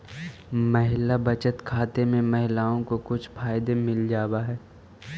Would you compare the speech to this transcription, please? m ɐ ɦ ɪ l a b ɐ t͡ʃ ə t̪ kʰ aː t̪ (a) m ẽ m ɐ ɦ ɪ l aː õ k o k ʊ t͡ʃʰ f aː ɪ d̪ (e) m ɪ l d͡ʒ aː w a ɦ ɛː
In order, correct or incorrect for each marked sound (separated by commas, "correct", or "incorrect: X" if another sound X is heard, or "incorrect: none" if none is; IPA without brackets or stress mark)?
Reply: incorrect: e, correct